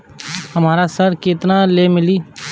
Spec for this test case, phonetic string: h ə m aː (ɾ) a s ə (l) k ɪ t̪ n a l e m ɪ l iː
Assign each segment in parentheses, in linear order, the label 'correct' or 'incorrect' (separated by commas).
correct, incorrect